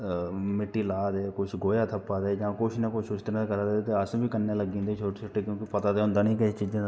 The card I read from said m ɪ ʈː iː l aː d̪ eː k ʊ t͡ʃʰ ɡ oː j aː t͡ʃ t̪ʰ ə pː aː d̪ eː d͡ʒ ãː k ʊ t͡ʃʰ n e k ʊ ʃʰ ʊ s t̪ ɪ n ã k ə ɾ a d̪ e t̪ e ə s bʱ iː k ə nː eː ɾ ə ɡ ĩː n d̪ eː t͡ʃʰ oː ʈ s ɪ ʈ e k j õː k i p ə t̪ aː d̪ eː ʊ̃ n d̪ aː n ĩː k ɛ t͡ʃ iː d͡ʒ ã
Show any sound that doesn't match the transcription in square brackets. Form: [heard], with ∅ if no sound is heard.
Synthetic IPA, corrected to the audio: m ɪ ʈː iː l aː d̪ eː k ʊ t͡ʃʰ ɡ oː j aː [∅] t̪ʰ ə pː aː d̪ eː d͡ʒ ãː k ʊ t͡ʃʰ n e k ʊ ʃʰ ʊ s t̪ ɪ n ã k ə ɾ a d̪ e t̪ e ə s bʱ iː k ə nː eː [l] ə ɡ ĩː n d̪ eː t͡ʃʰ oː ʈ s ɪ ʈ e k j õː k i p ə t̪ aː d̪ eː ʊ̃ n d̪ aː n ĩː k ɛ t͡ʃ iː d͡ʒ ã